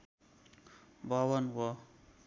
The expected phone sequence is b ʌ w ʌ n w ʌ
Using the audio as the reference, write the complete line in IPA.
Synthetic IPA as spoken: b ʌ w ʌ n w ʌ

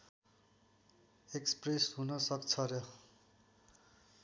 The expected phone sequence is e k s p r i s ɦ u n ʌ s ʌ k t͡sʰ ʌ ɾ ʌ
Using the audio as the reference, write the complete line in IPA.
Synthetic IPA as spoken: e k s p r e s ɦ u n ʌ s ʌ k t͡sʰ ʌ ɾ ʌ

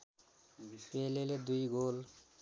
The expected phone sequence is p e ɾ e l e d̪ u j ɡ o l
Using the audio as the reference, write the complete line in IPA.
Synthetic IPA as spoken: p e l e l e d̪ u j ɡ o l

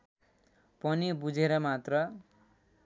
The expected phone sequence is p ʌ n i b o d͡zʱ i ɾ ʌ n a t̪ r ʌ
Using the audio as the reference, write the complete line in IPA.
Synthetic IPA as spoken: p ʌ n i b u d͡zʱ e ɾ ʌ m a t̪ r ʌ

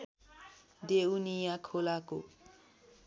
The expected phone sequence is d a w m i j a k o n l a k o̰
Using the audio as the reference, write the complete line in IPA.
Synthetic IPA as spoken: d e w n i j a kʰ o l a k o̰

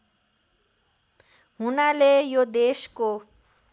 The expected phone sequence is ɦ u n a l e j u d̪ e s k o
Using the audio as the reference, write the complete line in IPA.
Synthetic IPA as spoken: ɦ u n a l e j o d̪ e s k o

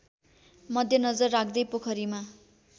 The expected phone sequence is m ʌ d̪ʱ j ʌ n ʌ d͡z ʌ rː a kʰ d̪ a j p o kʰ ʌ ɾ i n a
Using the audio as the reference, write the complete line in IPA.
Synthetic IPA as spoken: m ʌ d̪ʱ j ʌ n ʌ d͡z ʌ rː a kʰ d̪ ʌ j p o kʰ ʌ ɾ i m a

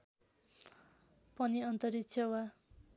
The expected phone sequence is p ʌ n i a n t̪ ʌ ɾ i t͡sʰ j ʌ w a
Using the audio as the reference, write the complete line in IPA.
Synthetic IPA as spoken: p ʌ n i ʌ n t̪ ʌ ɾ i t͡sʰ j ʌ w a

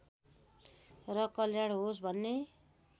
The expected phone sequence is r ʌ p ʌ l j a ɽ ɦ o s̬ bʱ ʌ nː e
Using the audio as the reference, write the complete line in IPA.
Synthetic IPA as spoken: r ʌ k ʌ l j a ɽ ɦ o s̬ bʱ ʌ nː e

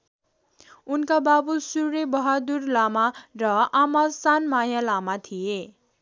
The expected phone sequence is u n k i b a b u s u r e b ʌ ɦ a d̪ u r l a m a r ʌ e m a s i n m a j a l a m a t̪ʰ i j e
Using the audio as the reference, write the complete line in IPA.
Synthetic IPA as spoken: u n k a b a b u s u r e b ʌ ɦ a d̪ u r l a m a r ʌ a m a s a n m a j a l a m a t̪ʰ i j e

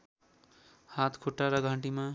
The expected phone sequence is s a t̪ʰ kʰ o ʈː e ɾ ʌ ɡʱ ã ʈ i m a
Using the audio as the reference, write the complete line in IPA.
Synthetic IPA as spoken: h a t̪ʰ kʰ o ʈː a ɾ ʌ ɡʱ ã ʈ i m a

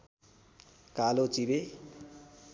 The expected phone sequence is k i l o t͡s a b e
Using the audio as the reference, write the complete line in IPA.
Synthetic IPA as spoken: k a l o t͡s i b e

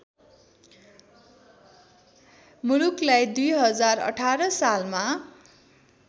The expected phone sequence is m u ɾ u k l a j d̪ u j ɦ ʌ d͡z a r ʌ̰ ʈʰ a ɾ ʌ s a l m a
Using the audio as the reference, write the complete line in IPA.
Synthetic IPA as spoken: m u l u k l a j d̪ u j ɦ ʌ d͡z a r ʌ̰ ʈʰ a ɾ ʌ s a l m a

